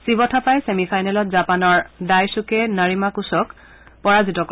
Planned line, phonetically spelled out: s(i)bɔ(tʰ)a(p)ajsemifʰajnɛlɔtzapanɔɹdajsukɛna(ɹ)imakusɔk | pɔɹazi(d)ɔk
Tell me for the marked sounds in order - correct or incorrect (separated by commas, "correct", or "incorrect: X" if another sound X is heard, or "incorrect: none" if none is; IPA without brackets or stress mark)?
correct, correct, correct, correct, incorrect: t